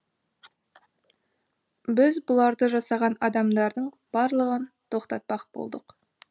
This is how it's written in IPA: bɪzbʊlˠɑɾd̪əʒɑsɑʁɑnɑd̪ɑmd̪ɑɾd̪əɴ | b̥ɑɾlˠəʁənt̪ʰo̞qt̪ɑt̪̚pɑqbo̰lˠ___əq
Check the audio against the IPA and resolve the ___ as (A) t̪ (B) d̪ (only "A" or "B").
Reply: B